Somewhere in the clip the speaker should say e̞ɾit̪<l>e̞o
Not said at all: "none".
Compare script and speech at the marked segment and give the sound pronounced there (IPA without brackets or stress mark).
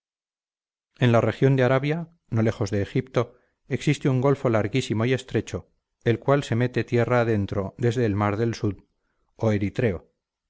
ɾ